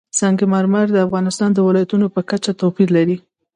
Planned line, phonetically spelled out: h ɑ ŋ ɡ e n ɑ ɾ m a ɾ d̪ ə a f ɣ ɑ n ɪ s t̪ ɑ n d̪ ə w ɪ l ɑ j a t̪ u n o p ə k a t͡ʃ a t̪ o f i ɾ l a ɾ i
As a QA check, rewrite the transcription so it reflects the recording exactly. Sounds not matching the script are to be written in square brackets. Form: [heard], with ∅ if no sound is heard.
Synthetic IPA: [s] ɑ ŋ ɡ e [m] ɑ ɾ m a ɾ d̪ ə a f ɣ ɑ n ɪ s t̪ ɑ n d̪ ə w ɪ l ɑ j a t̪ u n o p ə k a t͡ʃ a t̪ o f i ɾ l a ɾ i